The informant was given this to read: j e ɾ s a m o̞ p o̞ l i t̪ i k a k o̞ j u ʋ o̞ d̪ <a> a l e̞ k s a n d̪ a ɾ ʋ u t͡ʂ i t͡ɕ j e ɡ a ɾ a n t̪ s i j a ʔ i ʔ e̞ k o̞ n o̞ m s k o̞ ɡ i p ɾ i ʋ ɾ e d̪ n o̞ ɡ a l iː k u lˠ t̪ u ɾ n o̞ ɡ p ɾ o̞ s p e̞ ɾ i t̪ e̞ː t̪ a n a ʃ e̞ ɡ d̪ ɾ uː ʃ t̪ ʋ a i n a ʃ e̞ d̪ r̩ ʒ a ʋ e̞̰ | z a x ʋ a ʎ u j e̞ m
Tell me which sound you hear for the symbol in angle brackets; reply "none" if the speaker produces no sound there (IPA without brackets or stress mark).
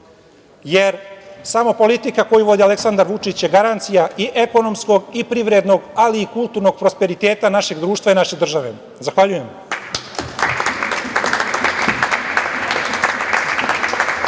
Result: i